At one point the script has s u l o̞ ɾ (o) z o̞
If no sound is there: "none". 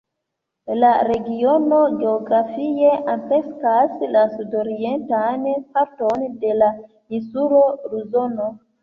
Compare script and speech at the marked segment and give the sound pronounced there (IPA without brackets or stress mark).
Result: u